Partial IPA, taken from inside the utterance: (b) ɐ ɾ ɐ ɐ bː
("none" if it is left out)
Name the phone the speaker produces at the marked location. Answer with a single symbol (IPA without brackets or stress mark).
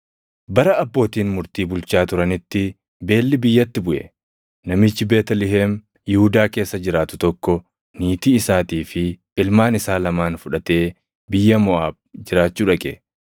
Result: b